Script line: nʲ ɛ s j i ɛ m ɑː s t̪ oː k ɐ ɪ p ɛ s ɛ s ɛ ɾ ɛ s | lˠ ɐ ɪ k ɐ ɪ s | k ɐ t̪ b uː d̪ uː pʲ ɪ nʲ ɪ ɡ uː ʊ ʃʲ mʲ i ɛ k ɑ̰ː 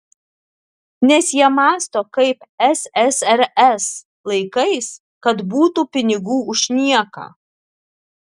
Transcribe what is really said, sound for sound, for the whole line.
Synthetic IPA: nʲ ɛ s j i ɛ m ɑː s t̪ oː k ɐ ɪ p ɛ s ɛ s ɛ ɾ ɛ s | lˠ ɐ ɪ k ɐ ɪ s | k ɐ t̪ b uː t̪ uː pʲ ɪ nʲ ɪ ɡ uː ʊ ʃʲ nʲ i ɛ k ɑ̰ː